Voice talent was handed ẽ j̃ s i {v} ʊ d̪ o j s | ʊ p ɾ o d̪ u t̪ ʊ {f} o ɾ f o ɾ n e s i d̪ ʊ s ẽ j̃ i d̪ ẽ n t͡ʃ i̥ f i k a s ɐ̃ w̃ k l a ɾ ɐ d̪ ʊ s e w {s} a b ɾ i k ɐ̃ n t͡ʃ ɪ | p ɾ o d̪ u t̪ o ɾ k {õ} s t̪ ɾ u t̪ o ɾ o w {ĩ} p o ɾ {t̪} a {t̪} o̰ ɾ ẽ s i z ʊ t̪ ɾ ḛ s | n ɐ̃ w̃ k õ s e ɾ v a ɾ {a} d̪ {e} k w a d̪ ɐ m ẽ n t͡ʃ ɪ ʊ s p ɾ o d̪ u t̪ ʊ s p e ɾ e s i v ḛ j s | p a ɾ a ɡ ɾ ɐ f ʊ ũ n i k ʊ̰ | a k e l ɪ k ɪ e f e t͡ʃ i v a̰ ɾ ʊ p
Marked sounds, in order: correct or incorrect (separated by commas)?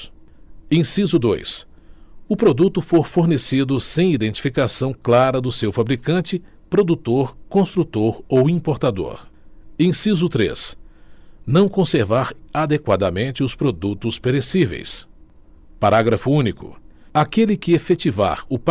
incorrect, correct, incorrect, correct, correct, correct, incorrect, correct, correct